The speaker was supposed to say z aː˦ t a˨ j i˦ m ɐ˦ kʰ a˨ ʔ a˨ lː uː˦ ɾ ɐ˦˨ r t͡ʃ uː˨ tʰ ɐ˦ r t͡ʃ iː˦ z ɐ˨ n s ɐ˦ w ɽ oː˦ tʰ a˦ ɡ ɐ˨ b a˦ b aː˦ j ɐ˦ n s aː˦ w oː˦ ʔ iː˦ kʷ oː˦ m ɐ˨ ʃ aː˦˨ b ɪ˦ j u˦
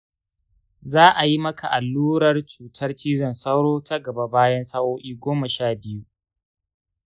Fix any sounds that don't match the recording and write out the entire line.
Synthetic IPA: z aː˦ ʔ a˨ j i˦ m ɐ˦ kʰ a˨ ʔ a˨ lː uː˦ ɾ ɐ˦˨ r t͡ʃ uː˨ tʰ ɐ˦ r t͡ʃ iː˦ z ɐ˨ n s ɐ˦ w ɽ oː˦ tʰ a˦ ɡ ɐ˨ b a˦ b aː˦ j ɐ˦ n s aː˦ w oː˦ ʔ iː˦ ɡʷ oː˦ m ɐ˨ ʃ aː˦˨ b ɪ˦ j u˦

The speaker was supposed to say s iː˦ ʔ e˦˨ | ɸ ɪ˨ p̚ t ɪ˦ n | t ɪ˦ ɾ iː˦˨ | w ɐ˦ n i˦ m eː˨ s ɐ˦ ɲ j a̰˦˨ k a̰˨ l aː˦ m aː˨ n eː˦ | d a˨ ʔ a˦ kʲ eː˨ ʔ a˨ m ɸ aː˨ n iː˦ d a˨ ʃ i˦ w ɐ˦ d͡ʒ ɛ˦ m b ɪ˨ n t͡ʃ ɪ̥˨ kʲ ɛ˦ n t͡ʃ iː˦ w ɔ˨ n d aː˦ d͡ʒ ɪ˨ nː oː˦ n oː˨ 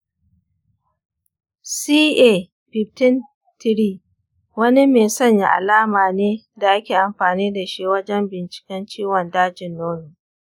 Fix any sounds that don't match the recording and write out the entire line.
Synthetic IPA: s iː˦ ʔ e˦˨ | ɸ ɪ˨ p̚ t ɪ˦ n | t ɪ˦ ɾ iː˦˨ | w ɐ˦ n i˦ m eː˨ s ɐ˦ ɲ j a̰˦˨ ʔ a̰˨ l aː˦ m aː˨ n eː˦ | d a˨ ʔ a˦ kʲ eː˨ ʔ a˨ m ɸ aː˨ n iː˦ d a˨ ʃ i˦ w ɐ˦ d͡ʒ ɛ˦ m b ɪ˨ n t͡ʃ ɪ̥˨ kʲ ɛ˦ n t͡ʃ iː˦ w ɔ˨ n d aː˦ d͡ʒ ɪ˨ nː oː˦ n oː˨

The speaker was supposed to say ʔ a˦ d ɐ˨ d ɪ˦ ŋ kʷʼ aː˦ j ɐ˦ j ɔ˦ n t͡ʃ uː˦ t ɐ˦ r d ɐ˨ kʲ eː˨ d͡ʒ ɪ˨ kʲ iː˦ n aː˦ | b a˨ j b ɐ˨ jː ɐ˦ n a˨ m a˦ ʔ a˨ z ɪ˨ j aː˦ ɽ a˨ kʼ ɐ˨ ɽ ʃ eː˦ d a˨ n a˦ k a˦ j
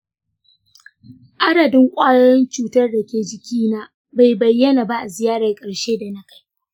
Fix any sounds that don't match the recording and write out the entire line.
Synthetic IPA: ʔ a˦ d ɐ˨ d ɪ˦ ŋ kʷʼ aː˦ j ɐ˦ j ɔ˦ n t͡ʃ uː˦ t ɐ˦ r d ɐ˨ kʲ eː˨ d͡ʒ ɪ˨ kʲ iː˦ n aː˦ | b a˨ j b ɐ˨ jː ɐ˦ n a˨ b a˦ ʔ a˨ z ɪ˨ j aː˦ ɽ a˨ kʼ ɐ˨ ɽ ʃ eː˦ d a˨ n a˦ k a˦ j

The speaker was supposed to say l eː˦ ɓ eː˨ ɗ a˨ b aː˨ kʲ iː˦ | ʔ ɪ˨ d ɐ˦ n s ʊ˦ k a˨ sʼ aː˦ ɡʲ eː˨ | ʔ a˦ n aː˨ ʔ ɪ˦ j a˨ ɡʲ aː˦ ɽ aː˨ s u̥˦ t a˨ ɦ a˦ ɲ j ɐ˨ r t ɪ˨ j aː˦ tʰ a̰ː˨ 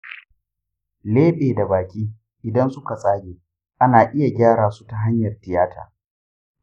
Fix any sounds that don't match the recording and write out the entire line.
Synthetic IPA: l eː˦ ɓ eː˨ d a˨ b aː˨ kʲ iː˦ | ʔ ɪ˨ d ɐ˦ n s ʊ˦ k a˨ sʼ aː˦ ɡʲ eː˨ | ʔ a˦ n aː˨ ʔ ɪ˦ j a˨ ɡʲ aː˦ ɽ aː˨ s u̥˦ t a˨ ɦ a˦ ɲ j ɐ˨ r t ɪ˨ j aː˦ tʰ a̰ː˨

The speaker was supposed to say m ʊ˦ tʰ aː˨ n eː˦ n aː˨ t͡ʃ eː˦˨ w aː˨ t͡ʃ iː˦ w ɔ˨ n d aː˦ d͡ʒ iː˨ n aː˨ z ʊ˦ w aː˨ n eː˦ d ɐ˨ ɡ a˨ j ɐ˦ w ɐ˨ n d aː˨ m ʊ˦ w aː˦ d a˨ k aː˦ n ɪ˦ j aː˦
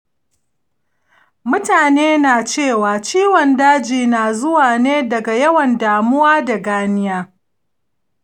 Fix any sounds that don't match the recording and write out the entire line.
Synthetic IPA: m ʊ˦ t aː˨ n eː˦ n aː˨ t͡ʃ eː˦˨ w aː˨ t͡ʃ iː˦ w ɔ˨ n d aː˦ d͡ʒ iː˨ n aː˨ z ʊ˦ w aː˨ n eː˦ d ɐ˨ ɡ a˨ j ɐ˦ w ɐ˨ n d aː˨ m ʊ˦ w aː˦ d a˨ ɡ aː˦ n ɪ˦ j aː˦

